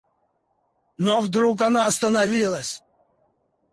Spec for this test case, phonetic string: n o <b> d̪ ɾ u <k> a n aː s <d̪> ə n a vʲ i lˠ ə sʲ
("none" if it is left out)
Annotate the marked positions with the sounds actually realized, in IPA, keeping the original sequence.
v, k, t̪

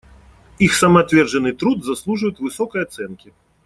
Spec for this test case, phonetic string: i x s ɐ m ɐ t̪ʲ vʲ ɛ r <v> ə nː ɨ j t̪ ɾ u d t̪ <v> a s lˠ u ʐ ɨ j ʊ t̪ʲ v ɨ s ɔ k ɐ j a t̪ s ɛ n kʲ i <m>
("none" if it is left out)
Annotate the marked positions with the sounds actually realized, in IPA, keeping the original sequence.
ʐ, z, none

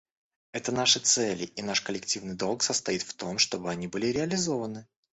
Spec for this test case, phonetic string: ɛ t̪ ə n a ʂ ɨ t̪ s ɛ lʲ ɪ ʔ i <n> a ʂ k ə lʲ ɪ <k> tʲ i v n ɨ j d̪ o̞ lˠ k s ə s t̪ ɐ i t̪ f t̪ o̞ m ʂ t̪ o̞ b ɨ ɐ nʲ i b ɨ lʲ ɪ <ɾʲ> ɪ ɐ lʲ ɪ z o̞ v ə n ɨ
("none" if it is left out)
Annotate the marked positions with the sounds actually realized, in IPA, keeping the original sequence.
n, k, ɾʲ

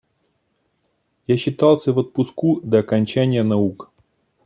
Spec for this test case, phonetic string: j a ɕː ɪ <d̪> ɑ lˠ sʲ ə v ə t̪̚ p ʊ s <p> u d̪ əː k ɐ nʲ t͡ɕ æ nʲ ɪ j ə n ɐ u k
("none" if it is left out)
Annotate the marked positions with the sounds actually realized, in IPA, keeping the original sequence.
t̪, k

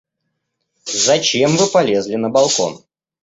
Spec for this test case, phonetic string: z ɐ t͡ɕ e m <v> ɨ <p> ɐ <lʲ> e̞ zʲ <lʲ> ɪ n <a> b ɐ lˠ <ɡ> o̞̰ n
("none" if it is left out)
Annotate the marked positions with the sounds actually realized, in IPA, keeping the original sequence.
v, p, lʲ, lʲ, ə, k

